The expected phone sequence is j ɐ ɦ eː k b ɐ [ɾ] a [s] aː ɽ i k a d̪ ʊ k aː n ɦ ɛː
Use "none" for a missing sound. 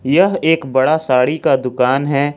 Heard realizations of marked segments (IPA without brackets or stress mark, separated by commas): ɽ, s